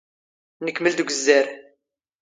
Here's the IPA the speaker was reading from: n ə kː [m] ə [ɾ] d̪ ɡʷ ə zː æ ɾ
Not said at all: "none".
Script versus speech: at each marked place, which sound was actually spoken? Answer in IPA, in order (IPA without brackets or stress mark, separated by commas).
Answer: m, l